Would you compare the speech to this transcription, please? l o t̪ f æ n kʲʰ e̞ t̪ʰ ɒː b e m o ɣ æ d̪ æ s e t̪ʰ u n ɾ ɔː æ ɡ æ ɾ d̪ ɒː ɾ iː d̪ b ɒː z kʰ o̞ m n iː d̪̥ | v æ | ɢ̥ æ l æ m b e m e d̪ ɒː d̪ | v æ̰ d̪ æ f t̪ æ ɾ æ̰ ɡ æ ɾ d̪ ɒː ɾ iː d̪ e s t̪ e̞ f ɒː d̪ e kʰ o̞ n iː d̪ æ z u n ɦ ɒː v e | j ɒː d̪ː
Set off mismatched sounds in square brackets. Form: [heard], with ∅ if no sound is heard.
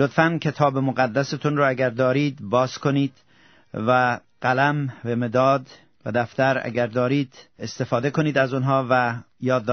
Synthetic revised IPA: l o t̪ f æ n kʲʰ e̞ t̪ʰ ɒː b e m o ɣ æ [d̪ː] æ s e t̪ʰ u n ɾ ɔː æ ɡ æ ɾ d̪ ɒː ɾ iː d̪ b ɒː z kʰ o̞ [∅] n iː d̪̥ | v æ | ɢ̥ æ l æ m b e m e d̪ ɒː d̪ | v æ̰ d̪ æ f t̪ æ ɾ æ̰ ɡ æ ɾ d̪ ɒː ɾ iː d̪ e s t̪ e̞ f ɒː d̪ e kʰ o̞ n iː d̪ æ z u n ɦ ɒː v [æ] | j ɒː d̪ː